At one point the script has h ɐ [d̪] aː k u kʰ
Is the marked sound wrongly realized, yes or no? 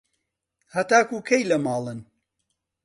yes